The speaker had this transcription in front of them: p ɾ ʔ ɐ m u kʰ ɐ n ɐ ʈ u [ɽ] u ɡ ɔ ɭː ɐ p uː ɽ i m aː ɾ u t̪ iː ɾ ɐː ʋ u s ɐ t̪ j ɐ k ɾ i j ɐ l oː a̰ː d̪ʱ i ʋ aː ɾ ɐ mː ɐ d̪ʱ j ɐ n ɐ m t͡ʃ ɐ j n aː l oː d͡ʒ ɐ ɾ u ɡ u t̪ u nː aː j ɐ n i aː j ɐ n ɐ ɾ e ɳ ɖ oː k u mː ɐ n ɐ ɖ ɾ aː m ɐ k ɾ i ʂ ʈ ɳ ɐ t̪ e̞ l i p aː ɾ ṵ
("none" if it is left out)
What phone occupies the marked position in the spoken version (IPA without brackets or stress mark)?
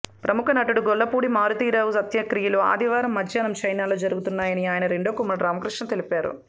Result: ɽ